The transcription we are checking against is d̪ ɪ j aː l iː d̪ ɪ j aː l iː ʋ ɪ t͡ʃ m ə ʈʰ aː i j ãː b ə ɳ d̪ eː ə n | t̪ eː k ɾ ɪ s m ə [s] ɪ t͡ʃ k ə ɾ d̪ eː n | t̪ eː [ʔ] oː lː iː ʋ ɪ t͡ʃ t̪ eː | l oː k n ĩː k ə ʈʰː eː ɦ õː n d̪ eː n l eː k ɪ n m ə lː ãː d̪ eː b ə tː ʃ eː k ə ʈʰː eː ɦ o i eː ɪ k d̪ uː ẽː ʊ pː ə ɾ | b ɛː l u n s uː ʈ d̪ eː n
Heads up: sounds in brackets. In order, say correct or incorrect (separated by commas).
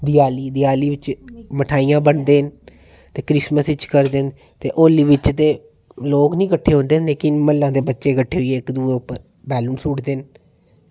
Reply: correct, correct